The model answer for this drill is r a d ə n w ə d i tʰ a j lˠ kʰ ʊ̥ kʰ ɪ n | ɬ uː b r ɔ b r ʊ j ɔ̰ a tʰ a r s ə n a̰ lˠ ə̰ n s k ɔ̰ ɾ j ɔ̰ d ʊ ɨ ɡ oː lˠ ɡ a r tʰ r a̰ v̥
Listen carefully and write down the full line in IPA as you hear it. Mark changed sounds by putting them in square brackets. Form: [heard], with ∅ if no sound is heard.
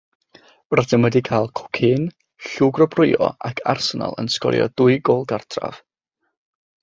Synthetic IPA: r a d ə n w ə d i [kʰ] a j lˠ kʰ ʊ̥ kʰ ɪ n | ɬ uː [ɡ] r ɔ b r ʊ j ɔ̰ a [kʰ] a r s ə n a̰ lˠ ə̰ n s k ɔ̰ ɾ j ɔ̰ d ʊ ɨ ɡ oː lˠ ɡ a r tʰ r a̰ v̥